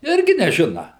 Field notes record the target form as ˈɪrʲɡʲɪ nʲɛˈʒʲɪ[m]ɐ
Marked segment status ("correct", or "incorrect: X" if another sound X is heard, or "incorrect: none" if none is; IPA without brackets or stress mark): incorrect: n